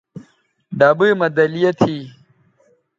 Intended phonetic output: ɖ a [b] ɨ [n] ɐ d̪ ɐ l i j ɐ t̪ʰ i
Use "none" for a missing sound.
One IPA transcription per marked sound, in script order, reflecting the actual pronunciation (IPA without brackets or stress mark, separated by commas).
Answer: b, m